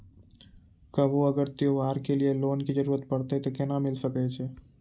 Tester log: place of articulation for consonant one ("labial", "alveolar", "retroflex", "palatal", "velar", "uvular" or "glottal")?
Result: velar